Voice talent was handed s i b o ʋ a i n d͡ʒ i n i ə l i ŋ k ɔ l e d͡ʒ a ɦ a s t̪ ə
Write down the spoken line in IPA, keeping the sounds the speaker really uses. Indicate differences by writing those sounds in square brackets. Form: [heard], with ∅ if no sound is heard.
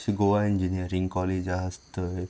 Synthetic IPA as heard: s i [ɡ] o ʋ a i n d͡ʒ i n i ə [ɾ] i ŋ k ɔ l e d͡ʒ a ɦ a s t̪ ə